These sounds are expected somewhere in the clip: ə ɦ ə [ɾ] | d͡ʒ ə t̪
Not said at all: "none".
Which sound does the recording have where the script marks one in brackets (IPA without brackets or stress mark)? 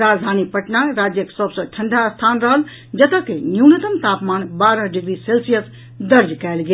l